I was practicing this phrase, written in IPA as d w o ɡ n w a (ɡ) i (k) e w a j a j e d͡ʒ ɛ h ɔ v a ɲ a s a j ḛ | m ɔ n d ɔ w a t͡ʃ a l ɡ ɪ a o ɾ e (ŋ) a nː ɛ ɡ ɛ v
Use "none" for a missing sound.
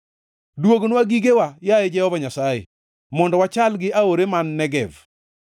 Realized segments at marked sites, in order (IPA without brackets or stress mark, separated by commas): ɡ, ɡ, m